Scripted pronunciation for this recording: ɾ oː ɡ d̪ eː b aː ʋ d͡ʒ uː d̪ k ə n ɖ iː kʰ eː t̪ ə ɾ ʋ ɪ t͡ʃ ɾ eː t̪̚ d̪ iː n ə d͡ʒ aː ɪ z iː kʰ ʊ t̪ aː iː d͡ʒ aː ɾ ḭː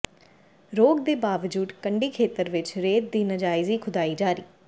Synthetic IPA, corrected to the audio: ɾ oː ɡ d̪ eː b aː ʋ d͡ʒ uː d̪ k ə ɳ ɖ iː kʰ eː t̪ ə ɾ ʋ ɪ t͡ʃ ɾ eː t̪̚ d̪ iː n ə d͡ʒ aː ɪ z iː kʰ ʊ d̪ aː iː d͡ʒ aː ɾ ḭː